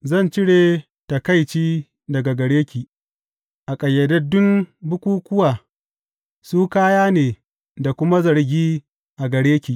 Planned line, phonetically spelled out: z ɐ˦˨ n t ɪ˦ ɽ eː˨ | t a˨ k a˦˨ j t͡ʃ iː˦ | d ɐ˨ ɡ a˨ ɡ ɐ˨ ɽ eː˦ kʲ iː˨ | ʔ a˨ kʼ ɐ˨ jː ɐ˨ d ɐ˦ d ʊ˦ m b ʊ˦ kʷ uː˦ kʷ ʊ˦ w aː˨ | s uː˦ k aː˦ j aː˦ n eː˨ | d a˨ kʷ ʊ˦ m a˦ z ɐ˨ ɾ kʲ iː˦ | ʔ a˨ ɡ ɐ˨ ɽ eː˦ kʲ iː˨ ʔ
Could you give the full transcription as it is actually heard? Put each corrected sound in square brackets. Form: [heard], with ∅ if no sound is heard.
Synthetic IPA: z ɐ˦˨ n [t͡ʃ] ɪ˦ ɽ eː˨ | t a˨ k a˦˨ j t͡ʃ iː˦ | d ɐ˨ ɡ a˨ ɡ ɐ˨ ɽ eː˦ kʲ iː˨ | ʔ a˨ kʼ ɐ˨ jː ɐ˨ d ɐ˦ d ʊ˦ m b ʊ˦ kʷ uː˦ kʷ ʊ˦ w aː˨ | s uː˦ k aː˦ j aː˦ n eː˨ | d a˨ kʷ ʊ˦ m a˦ z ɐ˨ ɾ [ɡʲ] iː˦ | ʔ a˨ ɡ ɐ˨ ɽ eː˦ kʲ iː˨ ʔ